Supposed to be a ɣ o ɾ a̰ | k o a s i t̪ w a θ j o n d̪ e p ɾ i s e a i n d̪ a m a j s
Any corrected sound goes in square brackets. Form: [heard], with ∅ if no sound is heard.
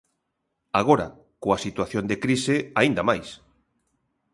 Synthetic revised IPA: a ɣ o ɾ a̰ | k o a s i t̪ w a θ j o n d̪ e [k] ɾ i s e a i n d̪ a m a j s